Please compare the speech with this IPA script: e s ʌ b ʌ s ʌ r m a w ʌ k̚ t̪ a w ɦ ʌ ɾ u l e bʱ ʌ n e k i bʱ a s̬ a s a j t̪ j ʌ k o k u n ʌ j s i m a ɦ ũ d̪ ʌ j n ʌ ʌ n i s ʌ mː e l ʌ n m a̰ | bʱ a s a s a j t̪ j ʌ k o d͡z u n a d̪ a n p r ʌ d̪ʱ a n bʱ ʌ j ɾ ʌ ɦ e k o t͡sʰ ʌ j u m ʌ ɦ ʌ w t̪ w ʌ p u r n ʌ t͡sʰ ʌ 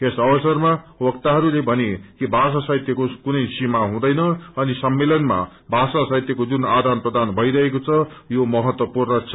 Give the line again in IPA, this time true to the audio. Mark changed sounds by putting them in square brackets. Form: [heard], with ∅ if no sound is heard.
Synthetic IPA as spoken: e s ʌ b ʌ s ʌ r m a w ʌ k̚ t̪ a [∅] ɦ ʌ ɾ u l e bʱ ʌ n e k i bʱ a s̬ a s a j t̪ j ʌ k o k u n ʌ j s i m a ɦ ũ d̪ ʌ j n ʌ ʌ n i s ʌ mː e l ʌ n m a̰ | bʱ a s a s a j t̪ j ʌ k o d͡z u n a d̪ a n p r ʌ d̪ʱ a n bʱ ʌ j ɾ ʌ ɦ e k o t͡sʰ ʌ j [o] m ʌ ɦ ʌ [∅] t̪ w ʌ p u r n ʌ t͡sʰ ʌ